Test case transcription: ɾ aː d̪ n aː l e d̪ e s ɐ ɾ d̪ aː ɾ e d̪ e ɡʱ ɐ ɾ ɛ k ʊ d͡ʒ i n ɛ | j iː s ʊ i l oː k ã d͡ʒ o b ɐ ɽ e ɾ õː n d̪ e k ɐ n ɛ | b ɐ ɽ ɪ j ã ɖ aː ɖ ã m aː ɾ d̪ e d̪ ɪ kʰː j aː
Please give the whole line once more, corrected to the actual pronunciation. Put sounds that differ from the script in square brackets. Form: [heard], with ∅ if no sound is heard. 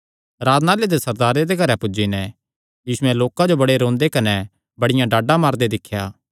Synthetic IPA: ɾ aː d̪ n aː l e d̪ e s ɐ ɾ d̪ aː ɾ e d̪ e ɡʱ ɐ ɾ ɛ [p] ʊ d͡ʒ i n ɛ | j iː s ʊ [ɛ] l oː k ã d͡ʒ o b ɐ ɽ e ɾ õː n d̪ e k ɐ n ɛ | b ɐ ɽ ɪ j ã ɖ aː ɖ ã m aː ɾ d̪ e d̪ ɪ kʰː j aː

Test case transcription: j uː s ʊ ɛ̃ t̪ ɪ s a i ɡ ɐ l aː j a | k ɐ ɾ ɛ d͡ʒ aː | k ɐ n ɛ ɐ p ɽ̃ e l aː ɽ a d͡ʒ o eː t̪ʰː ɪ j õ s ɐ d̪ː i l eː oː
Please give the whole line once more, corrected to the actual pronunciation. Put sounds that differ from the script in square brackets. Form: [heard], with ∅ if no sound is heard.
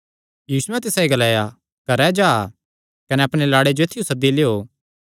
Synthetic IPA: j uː s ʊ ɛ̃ t̪ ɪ s a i ɡ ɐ l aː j a | k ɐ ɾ ɛ d͡ʒ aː | k ɐ n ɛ ɐ p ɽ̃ e l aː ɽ [e] d͡ʒ o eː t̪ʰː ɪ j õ s ɐ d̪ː i l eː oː

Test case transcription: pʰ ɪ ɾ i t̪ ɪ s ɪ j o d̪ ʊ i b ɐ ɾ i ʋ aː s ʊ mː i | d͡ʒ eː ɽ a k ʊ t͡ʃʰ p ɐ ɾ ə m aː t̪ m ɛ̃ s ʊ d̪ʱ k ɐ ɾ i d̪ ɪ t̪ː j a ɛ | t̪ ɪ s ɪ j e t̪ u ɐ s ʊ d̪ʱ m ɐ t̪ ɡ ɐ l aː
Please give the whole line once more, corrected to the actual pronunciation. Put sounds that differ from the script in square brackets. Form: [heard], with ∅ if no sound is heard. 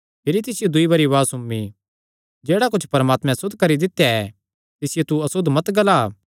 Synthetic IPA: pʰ ɪ ɾ i t̪ ɪ s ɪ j o d̪ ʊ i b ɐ ɾ i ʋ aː s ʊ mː i | d͡ʒ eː ɽ a k ʊ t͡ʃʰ p ɐ ɾ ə m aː t̪ m ɛ̃ s ʊ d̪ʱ k ɐ ɾ i d̪ ɪ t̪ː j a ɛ | t̪ ɪ s ɪ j e t̪ u ɐ s ʊ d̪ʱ m ɐ t̪ ɡ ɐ l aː

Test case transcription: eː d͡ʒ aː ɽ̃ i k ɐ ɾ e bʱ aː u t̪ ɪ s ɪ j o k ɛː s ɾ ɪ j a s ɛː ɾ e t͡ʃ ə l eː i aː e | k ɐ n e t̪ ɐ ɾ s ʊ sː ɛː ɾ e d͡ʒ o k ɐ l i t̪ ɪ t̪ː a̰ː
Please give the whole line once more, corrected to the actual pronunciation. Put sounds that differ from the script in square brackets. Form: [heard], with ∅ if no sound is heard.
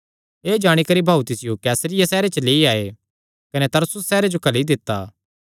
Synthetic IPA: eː d͡ʒ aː ɽ̃ i k ɐ ɾ [i] bʱ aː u t̪ ɪ s ɪ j o k ɛː s ɾ ɪ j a s ɛː ɾ e t͡ʃ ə l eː i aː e | k ɐ n e t̪ ɐ ɾ s ʊ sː ɛː ɾ e d͡ʒ o k ɐ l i [d̪] ɪ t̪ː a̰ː

